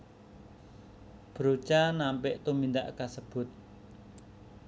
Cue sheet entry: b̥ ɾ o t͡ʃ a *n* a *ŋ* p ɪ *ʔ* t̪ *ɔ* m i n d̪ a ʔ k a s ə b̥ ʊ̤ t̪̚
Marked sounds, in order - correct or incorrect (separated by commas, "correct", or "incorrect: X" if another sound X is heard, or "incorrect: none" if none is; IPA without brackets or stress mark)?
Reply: correct, incorrect: m, correct, incorrect: u